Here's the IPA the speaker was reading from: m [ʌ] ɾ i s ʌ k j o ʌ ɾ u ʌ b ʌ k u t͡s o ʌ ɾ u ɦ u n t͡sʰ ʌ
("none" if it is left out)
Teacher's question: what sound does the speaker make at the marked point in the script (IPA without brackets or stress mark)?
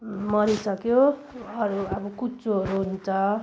ʌ